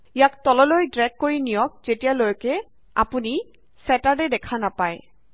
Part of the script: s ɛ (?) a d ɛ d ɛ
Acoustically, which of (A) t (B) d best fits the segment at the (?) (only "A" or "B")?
A